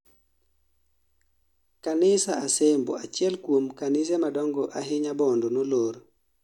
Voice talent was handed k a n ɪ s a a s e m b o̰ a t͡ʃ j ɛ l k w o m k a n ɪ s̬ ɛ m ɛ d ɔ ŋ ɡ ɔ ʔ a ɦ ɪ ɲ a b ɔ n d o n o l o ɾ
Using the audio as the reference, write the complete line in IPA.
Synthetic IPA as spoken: k a n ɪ s a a s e m b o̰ a t͡ʃ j ɛ l k w o m k a n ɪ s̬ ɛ m a d ɔ ŋ ɡ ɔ ʔ a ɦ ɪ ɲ a b ɔ n d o n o l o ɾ